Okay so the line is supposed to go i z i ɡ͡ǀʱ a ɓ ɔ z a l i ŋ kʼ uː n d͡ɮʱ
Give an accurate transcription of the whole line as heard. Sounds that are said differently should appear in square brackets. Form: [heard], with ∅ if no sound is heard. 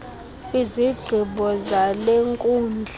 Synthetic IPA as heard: i z i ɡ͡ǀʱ [i] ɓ ɔ z a l [e] ŋ kʼ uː n d͡ɮʱ